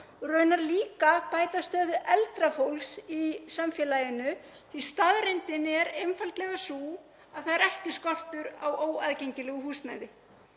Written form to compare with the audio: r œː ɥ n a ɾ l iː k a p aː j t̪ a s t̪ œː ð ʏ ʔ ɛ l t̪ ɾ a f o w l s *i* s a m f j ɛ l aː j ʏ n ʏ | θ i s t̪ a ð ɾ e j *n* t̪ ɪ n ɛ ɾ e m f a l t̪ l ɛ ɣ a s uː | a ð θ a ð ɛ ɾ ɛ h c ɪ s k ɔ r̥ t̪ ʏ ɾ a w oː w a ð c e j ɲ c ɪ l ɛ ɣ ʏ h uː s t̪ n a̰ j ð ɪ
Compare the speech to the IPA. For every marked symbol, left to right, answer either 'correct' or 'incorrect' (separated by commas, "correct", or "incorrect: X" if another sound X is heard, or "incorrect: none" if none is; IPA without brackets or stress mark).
correct, correct